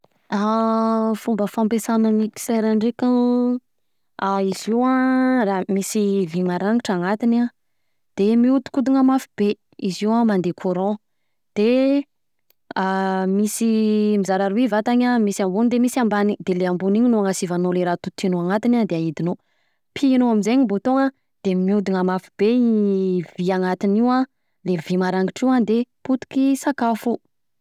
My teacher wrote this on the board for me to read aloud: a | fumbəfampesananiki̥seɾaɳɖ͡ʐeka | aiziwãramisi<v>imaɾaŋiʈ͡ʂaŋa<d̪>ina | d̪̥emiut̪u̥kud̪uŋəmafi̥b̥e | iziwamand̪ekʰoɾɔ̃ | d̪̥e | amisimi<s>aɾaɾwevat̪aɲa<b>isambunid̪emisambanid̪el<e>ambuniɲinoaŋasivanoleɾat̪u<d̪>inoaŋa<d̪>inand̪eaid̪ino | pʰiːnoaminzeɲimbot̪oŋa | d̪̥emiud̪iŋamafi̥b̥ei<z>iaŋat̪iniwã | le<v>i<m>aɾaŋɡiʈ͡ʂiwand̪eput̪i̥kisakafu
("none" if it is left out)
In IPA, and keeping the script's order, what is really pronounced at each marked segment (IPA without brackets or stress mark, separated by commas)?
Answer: v, t̪, z, m, e, t̪, t̪, v, v, m